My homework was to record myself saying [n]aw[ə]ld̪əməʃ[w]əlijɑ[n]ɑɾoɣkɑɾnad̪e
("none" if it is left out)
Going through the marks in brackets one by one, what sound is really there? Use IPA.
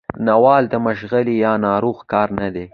n, ɑ, ɣ, n

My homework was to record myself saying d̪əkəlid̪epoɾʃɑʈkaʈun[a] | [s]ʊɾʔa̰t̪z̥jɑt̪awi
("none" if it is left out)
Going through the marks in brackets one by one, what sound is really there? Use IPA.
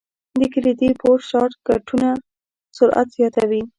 a, s

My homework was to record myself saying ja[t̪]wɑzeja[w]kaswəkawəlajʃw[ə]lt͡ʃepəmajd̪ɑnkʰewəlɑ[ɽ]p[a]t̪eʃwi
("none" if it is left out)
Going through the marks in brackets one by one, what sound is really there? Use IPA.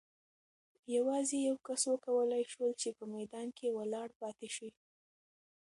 none, w, ə, ɽ, ɑ

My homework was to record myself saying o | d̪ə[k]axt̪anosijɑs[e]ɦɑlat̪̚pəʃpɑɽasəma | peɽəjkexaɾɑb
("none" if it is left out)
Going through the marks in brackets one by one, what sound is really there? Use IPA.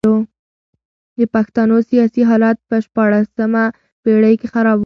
p, i

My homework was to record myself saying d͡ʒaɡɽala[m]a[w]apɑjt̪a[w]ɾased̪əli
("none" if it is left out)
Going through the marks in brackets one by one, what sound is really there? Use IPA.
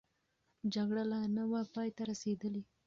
n, w, none

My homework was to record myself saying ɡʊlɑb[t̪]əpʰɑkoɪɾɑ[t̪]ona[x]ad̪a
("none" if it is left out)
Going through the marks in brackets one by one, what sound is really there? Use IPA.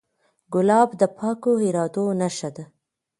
d̪, d̪, ʃ

